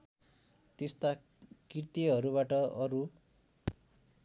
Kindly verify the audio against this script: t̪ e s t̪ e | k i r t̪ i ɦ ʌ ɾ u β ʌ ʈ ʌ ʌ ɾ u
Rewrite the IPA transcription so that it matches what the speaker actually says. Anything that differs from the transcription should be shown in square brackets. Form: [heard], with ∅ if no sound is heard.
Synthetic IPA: t̪ e s t̪ [a] | k i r t̪ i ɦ ʌ ɾ u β [a] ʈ ʌ ʌ ɾ u